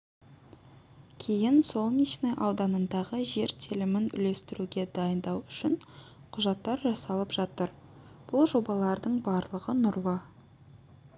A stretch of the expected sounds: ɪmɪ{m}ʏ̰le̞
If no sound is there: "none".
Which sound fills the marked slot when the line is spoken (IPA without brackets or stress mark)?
n